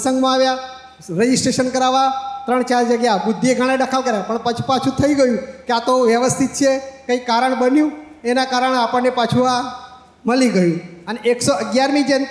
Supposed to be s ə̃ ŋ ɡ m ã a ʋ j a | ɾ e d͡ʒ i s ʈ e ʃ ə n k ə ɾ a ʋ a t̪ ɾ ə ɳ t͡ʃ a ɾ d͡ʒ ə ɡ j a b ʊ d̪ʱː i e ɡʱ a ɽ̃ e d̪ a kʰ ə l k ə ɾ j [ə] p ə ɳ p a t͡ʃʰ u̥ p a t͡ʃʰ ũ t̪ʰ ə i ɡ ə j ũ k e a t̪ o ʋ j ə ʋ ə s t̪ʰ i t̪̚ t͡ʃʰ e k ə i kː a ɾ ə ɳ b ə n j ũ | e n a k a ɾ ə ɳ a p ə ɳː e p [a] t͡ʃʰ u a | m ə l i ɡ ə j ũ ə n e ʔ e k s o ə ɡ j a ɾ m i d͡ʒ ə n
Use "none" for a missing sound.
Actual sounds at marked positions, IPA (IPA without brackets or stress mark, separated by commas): a, a